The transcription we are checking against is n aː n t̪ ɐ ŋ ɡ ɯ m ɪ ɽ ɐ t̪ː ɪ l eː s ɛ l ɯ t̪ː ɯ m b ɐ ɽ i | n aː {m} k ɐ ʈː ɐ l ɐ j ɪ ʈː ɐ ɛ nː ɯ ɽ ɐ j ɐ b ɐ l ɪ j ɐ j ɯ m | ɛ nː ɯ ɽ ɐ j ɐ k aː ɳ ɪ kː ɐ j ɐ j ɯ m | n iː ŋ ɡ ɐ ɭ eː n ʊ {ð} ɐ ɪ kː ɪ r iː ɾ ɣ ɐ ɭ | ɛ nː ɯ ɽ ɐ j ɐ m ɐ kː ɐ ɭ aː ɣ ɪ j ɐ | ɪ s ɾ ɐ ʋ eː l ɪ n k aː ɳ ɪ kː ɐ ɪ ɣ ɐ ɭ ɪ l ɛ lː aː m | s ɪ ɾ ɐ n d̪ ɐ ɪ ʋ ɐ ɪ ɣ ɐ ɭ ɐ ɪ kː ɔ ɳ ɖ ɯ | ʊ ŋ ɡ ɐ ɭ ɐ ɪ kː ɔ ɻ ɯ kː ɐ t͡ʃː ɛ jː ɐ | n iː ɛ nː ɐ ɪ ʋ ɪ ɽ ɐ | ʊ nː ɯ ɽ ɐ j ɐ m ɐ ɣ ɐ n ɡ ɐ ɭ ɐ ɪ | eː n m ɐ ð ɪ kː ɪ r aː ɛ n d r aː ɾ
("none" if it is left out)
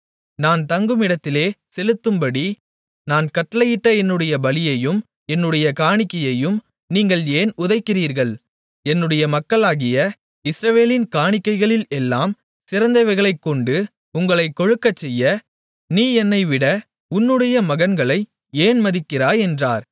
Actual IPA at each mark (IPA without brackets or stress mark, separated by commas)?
n, ð